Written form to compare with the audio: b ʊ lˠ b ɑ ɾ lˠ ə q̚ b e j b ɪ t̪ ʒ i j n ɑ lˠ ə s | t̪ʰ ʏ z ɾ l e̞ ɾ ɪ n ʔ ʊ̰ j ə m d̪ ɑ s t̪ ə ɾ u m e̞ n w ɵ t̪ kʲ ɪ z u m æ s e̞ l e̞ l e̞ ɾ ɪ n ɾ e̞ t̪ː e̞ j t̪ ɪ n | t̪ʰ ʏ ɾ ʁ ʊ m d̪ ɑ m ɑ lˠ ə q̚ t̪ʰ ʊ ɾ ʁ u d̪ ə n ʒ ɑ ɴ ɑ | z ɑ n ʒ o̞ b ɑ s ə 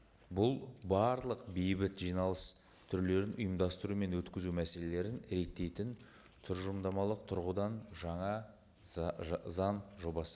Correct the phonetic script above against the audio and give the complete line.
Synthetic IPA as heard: b ʊ lˠ b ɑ ɾ lˠ ə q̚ b e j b ɪ t̪ ʒ i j n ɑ lˠ ə s | t̪ʰ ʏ ɾ l e̞ ɾ ɪ n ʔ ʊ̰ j ə m d̪ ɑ s t̪ ə ɾ u m e̞ n w ɵ t̪ kʲ ɪ z u m æ s e̞ l e̞ l e̞ ɾ ɪ n ɾ e̞ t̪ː e̞ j t̪ ɪ n | t̪ʰ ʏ ɾ ʒ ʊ m d̪ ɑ m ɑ lˠ ə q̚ t̪ʰ ʊ ɾ ʁ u d̪ ɑ n ʒ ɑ ɴ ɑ | z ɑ n ʒ o̞ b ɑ s ə

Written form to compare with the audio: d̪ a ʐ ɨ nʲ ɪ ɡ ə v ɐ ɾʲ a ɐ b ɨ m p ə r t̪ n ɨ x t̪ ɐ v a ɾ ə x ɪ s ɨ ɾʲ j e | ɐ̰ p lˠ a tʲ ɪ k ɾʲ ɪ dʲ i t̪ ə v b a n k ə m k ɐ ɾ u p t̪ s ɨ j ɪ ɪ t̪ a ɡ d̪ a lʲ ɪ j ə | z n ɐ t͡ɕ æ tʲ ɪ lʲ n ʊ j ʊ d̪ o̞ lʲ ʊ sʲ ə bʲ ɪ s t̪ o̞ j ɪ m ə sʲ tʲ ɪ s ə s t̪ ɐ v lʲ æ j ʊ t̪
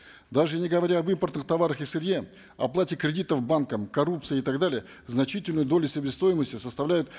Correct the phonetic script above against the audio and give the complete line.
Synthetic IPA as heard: d̪ a ʐ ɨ nʲ ɪ ɡ ə v ɐ ɾʲ a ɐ b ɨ m p ə r t̪ n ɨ x t̪ ɐ v a ɾ ə x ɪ s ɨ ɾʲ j e | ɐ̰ p lˠ a tʲ ɪ k ɾʲ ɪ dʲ i t̪ ə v b a n k ə m k ɐ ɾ u p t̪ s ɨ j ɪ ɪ t̪ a ɡ d̪ a lʲ ɪ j ə | z n ɐ t͡ɕ i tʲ ɪ lʲ n ʊ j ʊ d̪ o̞ lʲ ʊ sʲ ə bʲ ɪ s t̪ o̞ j ɪ m ə sʲ tʲ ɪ s ə s t̪ ɐ v lʲ æ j ʊ t̪

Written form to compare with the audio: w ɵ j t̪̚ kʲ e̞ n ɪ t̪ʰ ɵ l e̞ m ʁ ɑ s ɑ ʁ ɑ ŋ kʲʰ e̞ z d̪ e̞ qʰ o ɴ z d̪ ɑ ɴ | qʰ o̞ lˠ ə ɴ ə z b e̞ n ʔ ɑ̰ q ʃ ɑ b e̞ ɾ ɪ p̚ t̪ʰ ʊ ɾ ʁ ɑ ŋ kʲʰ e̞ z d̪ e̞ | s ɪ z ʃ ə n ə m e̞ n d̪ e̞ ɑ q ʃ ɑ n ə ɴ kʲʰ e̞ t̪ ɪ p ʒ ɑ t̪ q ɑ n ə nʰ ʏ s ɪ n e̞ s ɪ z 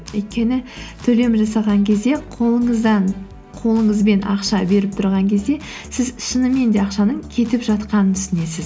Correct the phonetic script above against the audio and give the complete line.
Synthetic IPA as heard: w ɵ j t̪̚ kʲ e̞ n ɪ t̪ʰ ɵ l e̞ m ʒ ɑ s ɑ ʁ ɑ ŋ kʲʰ e̞ z d̪ e̞ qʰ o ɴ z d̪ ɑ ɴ | qʰ o̞ lˠ ə ɴ ə z b e̞ n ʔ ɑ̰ q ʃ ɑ b e̞ ɾ ɪ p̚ t̪ʰ ʊ ɾ ʁ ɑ ŋ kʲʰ e̞ z d̪ e̞ | s ɪ z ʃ ə n ə m e̞ n d̪ e̞ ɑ q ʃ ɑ n ə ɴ kʲʰ e̞ t̪ ɪ p ʒ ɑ t̪ q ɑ n ə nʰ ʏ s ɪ n e̞ s ɪ z

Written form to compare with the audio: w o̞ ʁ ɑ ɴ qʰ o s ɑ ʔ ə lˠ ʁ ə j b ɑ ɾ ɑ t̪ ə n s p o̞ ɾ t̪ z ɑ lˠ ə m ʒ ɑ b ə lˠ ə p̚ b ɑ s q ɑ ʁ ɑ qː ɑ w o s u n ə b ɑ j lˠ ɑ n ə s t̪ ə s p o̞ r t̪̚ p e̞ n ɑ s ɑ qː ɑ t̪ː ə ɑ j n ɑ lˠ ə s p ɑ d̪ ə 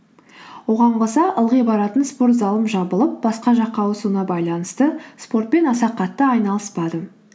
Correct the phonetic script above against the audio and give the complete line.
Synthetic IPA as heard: w o̞ ʁ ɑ ɴ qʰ o s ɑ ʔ ə lˠ ʁ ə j b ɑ ɾ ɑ t̪ ə n s p o̞ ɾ t̪ z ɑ lˠ ə m ʒ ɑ b ə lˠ ə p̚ b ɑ s q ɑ ʒ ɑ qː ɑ w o s u n ɑ b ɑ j lˠ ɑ n ə s t̪ ə s p o̞ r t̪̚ p e̞ n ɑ s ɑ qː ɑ t̪ː ə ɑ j n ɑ lˠ ə s p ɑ d̪ ə

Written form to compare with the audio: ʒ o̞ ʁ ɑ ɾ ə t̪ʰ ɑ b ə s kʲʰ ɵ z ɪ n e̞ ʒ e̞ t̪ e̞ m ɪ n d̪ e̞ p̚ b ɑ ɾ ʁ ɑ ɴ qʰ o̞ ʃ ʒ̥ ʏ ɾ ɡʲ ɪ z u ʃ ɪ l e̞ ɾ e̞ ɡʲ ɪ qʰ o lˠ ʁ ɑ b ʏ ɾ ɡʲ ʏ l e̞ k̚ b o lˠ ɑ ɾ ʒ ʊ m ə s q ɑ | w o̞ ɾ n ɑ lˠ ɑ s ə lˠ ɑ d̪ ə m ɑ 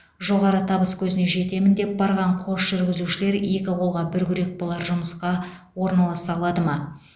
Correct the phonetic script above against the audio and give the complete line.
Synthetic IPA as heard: ʒ o̞ ʁ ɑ ɾ ə t̪ʰ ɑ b ə s kʲʰ ɵ z ɪ n e̞ ʒ e̞ t̪ e̞ m ɪ n d̪ e̞ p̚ b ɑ ɾ ʁ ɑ ɴ qʰ o̞ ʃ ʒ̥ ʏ ɾ ɡʲ ɪ z u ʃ ɪ l e̞ ɾ e̞ kʲ ɪ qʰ o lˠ ʁ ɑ b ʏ ɾ ɡʲ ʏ ɾ e̞ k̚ b o lˠ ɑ ɾ ʒ ʊ m ə s q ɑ | w o̞ ɾ n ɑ lˠ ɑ s ɑ lˠ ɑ d̪ ə m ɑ

